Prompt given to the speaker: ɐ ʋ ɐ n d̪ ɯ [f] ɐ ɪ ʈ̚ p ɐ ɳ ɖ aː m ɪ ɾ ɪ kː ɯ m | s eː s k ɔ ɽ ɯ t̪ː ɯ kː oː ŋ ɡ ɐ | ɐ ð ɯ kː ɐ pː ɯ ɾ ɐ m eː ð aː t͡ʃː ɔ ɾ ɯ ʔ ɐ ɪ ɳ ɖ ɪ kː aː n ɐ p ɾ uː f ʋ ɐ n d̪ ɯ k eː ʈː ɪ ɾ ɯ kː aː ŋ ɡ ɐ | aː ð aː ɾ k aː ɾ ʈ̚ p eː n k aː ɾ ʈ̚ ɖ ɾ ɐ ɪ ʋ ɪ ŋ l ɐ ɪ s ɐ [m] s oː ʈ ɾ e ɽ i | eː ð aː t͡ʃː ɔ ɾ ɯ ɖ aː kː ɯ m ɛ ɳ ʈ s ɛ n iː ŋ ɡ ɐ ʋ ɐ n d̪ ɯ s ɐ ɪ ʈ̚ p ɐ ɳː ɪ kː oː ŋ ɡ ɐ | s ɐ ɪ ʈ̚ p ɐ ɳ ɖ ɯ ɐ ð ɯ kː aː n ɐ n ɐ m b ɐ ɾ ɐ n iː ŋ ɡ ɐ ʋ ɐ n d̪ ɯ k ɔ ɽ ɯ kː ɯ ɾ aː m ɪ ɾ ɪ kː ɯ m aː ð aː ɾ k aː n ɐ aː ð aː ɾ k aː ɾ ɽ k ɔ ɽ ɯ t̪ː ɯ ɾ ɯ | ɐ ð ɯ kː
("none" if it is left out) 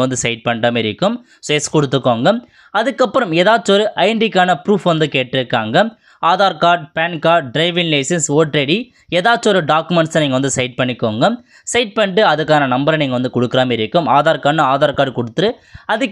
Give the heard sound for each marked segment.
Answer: s, n

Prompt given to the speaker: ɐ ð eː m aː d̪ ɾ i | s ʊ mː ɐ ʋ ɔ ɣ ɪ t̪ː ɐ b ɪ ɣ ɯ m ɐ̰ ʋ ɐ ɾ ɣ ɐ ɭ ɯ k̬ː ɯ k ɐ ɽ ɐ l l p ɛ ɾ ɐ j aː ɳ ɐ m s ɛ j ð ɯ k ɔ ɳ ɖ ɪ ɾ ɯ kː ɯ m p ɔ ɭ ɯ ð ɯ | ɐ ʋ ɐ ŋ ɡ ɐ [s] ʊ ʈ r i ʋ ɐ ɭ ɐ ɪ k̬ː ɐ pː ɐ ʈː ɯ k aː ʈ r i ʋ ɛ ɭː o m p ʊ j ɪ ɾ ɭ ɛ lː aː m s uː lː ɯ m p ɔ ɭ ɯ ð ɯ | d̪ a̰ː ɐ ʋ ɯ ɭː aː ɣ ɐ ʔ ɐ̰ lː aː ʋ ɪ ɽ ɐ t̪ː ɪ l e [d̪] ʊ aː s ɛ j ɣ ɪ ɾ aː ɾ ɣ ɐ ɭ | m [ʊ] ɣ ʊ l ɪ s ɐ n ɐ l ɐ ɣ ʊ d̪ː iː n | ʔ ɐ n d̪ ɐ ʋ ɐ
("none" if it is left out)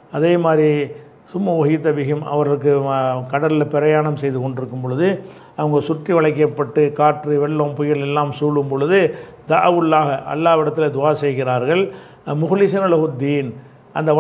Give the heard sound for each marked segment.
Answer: s, d̪, ʊ

